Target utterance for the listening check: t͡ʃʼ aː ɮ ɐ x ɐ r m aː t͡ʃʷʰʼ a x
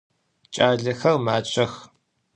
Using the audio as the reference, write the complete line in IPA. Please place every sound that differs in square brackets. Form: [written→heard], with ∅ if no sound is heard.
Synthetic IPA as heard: t͡ʃʼ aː ɮ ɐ x ɐ r m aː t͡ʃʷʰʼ [a→ɐ] x